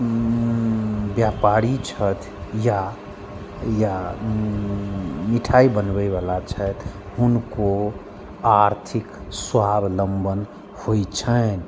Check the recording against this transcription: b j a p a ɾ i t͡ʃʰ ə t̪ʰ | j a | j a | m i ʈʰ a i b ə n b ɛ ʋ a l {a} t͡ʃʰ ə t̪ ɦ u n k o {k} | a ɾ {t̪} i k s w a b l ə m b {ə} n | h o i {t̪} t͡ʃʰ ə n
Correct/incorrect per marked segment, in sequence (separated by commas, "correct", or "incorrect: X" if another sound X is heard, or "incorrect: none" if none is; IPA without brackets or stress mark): correct, incorrect: none, incorrect: t̪ʰ, correct, incorrect: none